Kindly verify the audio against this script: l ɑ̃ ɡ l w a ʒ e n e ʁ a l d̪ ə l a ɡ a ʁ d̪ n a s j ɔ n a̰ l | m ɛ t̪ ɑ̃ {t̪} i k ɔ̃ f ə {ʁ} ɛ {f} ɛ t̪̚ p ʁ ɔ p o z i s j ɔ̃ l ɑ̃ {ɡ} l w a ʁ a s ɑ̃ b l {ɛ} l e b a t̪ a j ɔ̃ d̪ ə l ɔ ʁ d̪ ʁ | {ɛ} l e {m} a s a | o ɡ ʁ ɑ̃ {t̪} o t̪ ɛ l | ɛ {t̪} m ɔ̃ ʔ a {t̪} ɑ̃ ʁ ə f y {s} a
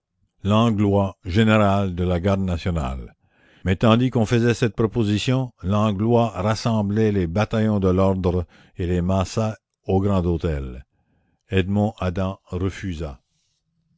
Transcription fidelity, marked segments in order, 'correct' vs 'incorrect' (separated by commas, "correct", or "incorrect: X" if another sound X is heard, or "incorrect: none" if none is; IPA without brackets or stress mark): incorrect: d̪, incorrect: z, incorrect: s, correct, correct, incorrect: e, correct, incorrect: d̪, incorrect: d̪, incorrect: d̪, incorrect: z